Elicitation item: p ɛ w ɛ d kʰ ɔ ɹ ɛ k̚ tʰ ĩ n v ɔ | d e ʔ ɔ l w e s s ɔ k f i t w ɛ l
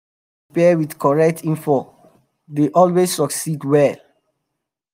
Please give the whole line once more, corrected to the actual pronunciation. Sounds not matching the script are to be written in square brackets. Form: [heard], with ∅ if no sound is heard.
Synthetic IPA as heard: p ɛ w [i] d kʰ ɔ ɹ ɛ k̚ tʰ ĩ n [f] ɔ | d e ʔ ɔ l w e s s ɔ k [s] i [d] w ɛ l